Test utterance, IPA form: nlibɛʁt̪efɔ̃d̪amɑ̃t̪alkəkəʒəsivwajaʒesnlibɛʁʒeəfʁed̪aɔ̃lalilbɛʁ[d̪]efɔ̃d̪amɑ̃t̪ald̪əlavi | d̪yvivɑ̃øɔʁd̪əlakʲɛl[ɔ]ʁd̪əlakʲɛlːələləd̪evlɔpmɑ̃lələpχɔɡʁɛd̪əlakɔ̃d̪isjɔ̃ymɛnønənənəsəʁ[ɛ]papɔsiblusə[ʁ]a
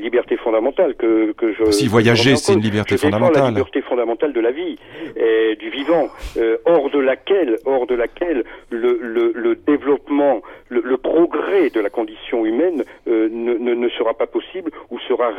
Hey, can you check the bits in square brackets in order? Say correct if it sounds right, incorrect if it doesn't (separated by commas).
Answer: incorrect, correct, incorrect, correct